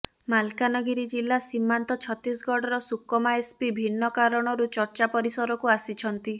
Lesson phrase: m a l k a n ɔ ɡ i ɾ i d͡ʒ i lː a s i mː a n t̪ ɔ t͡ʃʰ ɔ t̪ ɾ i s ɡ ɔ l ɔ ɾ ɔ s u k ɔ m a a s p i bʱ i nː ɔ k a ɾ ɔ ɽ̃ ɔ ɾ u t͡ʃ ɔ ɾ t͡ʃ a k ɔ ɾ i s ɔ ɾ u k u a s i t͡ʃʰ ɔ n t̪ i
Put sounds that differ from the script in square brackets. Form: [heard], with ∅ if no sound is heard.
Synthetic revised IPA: m a l k a n ɔ ɡ i ɾ i d͡ʒ i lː a s i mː a n t̪ ɔ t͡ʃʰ ɔ t̪ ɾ i s ɡ ɔ [ɽ] ɔ ɾ ɔ s u k ɔ m a [e] s p i bʱ i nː ɔ k a ɾ ɔ ɽ̃ ɔ ɾ u t͡ʃ ɔ ɾ t͡ʃ a [p] ɔ ɾ i s ɔ ɾ [ɔ] k u a s i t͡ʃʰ ɔ n t̪ i